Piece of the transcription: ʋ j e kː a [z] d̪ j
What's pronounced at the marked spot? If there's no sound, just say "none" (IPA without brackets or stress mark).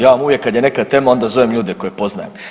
none